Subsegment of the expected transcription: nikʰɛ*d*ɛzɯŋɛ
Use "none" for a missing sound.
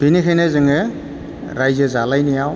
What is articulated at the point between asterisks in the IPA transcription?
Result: n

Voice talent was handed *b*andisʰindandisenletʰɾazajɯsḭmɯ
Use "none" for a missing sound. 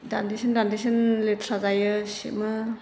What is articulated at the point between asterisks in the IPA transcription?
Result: d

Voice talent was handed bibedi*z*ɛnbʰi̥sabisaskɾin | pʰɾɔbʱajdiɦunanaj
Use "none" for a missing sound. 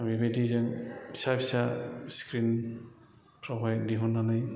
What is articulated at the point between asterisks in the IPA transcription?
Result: z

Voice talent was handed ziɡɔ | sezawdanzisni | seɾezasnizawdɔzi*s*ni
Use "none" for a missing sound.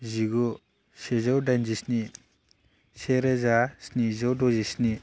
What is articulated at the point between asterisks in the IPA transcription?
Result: s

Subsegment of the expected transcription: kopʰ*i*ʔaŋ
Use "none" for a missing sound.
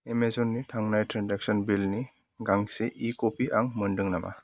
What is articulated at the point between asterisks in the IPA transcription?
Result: i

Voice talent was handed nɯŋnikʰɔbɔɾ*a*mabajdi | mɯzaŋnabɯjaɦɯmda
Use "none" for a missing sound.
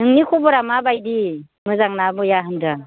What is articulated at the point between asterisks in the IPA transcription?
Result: a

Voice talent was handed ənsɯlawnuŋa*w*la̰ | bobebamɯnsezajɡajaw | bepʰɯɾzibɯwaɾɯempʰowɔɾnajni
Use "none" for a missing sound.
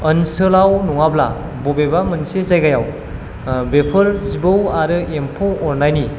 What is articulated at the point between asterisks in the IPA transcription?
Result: b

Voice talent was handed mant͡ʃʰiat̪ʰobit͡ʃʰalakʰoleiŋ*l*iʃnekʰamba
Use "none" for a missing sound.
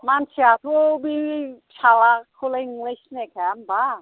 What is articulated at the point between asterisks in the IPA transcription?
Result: l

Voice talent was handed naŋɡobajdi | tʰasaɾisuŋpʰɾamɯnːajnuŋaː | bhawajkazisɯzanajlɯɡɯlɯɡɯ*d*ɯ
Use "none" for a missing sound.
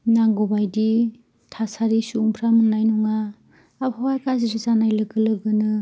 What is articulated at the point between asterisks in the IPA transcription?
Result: n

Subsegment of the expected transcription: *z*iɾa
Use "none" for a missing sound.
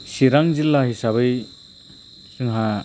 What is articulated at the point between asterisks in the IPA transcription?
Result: s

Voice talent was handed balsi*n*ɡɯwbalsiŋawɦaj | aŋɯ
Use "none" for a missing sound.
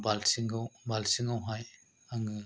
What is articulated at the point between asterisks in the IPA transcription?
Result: ŋ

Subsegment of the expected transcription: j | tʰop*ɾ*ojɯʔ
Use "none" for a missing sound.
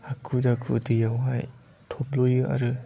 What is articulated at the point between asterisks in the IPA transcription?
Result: l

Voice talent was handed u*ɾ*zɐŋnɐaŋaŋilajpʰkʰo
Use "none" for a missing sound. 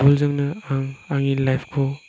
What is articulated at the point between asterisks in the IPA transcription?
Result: l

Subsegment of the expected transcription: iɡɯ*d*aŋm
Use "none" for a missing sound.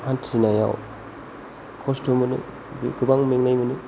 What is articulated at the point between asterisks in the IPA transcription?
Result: b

